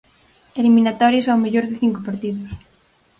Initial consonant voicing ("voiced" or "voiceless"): voiced